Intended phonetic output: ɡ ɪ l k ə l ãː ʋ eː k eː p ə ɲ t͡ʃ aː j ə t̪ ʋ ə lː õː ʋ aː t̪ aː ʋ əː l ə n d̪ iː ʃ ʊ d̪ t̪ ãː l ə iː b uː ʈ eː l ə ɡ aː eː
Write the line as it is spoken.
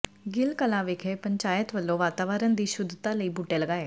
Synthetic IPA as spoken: ɡ ɪ l k ə l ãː ʋ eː kʰ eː p ə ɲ t͡ʃ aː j ə t̪ ʋ ə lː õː ʋ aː t̪ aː ʋ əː ɾ ə n d̪ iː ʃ ʊ d̪ t̪ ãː l ə iː b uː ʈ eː l ə ɡ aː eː